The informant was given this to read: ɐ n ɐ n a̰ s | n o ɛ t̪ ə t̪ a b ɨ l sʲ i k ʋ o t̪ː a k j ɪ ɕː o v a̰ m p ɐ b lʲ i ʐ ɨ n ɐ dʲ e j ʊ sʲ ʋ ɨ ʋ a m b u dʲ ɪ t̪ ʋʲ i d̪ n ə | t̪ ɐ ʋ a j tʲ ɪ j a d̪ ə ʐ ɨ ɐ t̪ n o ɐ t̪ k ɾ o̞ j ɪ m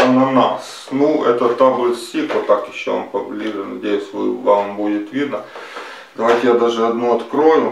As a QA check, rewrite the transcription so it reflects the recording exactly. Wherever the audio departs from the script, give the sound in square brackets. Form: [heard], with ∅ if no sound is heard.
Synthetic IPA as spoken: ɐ n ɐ n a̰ s | n [u] ɛ t̪ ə t̪ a b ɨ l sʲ i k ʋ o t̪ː a k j ɪ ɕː o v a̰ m p ɐ b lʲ i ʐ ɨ n ɐ dʲ e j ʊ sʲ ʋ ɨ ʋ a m b u dʲ ɪ t̪ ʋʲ i d̪ n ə | [d̪] ɐ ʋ a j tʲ ɪ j a d̪ [a] ʐ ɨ ɐ [d̪] n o ɐ t̪ k ɾ o̞ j ɪ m